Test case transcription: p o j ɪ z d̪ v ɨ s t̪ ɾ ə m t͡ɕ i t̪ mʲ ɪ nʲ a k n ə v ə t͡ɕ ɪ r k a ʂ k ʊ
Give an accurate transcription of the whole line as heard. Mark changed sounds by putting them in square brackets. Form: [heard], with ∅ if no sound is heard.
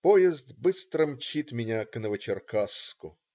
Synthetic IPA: p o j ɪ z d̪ [b] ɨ s t̪ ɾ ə m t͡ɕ i t̪ mʲ ɪ nʲ a k n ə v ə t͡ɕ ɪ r k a [s] k ʊ